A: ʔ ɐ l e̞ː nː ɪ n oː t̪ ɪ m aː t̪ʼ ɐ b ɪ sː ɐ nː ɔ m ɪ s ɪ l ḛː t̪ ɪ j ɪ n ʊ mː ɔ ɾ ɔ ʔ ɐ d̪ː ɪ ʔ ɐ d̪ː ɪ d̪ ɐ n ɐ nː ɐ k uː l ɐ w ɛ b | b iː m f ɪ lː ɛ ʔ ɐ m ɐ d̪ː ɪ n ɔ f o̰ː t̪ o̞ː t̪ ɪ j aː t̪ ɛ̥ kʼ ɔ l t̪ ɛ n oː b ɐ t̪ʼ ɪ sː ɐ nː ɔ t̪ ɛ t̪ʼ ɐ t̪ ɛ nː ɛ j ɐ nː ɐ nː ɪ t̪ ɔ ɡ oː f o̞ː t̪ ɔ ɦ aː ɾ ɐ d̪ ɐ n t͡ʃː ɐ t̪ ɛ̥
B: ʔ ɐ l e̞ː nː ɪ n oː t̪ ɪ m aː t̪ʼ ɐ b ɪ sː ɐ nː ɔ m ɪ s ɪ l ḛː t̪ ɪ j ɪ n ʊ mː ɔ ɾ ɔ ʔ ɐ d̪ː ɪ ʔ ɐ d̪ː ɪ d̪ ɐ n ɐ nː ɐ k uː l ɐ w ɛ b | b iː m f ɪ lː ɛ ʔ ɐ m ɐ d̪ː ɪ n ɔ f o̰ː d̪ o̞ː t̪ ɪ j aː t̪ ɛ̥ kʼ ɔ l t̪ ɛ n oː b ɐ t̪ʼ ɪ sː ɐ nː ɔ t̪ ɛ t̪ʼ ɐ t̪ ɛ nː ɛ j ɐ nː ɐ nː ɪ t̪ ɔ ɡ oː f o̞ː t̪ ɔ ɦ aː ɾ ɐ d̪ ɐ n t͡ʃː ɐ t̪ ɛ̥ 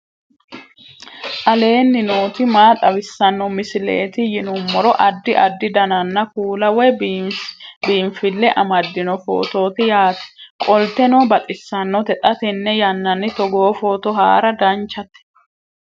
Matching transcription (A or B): A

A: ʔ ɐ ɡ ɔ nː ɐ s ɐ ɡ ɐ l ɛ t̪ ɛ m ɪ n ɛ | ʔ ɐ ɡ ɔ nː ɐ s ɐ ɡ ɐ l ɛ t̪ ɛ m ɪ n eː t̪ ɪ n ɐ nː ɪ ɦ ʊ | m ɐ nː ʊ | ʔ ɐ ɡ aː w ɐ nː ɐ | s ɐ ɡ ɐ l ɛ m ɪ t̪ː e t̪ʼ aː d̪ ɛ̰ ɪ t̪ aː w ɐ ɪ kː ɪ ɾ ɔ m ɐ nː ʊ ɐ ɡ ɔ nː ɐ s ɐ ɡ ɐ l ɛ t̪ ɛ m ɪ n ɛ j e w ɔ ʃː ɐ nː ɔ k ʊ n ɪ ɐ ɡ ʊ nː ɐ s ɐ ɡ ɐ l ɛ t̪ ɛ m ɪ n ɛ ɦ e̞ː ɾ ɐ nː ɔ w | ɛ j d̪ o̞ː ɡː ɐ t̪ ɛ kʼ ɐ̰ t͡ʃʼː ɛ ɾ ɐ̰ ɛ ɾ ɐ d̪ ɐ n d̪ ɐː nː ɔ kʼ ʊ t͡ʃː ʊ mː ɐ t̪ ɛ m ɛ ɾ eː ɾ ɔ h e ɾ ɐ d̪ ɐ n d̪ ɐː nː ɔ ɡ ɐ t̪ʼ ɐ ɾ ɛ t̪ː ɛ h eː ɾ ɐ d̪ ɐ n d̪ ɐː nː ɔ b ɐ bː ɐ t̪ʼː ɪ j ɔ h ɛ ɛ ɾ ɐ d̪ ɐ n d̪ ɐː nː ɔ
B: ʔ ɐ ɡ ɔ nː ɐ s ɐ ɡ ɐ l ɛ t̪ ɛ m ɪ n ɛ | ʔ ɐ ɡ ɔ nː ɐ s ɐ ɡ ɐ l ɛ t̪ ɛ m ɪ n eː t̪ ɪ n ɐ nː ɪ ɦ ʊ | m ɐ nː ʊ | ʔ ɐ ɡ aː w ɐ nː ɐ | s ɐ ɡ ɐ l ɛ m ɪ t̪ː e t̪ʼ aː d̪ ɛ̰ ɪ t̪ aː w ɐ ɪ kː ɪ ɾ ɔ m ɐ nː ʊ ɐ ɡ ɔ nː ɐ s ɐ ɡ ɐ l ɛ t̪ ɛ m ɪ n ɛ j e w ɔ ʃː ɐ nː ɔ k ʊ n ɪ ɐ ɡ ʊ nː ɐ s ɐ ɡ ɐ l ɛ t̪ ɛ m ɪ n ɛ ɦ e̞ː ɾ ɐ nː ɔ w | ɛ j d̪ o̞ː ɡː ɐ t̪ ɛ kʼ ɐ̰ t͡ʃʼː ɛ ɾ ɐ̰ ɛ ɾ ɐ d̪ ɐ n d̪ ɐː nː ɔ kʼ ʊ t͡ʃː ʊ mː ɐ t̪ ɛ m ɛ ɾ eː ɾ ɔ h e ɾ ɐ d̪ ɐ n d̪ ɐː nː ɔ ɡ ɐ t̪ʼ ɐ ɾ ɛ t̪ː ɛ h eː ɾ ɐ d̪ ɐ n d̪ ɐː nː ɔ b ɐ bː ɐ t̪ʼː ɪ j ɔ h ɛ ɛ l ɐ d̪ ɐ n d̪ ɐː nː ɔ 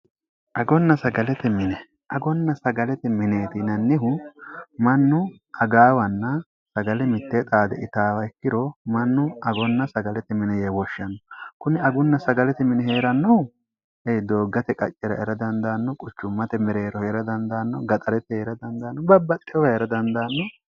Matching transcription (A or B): A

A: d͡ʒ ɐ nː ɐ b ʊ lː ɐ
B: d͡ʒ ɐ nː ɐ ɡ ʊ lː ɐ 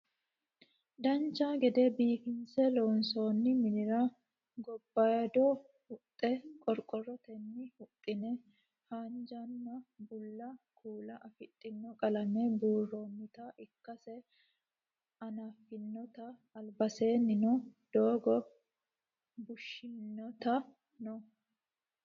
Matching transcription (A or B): A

